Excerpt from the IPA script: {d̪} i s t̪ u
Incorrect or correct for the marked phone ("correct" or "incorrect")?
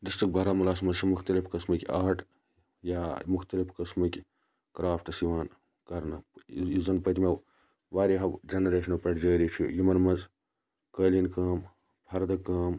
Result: correct